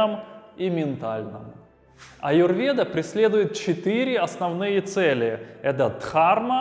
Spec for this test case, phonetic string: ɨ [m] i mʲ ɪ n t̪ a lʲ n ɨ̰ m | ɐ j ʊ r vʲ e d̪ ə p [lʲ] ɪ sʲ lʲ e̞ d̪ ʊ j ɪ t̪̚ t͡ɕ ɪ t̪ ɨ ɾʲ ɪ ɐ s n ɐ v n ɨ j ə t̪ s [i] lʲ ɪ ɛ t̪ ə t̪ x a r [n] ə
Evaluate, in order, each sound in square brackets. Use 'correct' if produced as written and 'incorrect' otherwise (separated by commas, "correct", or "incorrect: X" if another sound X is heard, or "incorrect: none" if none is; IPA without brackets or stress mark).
correct, incorrect: ɾʲ, incorrect: ɛ, incorrect: m